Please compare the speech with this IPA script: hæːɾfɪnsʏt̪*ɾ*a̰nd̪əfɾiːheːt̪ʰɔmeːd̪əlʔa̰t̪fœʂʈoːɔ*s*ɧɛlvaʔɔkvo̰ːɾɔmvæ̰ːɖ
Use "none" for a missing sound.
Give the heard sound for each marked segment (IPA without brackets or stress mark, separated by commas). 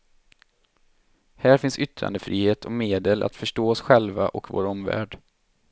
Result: ɾ, s